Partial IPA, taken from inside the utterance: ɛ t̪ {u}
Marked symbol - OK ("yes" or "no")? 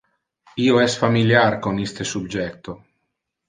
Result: no